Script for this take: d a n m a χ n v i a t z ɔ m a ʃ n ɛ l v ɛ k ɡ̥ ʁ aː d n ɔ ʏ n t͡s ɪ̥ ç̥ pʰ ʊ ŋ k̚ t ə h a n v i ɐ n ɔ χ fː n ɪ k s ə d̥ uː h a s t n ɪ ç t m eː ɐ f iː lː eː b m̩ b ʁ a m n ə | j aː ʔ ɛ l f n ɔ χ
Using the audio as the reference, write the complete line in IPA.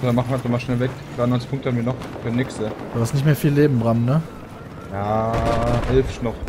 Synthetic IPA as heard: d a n m a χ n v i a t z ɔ m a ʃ n ɛ l v ɛ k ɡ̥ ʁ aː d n ɔ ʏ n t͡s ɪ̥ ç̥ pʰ ʊ ŋ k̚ t ə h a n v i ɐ n ɔ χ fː n ɪ k s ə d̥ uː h a s t n ɪ ç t m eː ɐ f iː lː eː b m̩ b ʁ a m n ə | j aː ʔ ɛ l f n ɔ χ